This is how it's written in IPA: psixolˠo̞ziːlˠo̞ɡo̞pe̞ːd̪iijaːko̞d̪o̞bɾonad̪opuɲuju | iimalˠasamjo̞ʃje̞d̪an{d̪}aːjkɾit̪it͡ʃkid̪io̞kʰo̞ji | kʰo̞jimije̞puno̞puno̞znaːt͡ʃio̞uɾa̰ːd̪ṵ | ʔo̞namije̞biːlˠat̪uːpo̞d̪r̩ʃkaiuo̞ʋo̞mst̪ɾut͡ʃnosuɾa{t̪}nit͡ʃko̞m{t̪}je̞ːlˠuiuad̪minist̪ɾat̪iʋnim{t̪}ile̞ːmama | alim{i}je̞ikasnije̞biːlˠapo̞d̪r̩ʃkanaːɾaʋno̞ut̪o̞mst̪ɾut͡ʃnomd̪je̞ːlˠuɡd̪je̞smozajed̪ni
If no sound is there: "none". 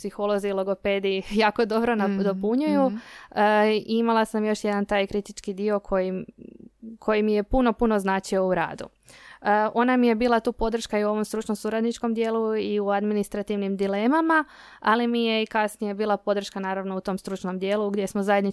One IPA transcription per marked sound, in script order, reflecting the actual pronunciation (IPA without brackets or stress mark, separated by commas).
t̪, d̪, d̪, d̪, i